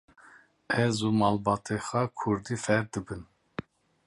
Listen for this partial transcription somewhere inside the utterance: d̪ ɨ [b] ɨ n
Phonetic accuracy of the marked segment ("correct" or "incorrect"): correct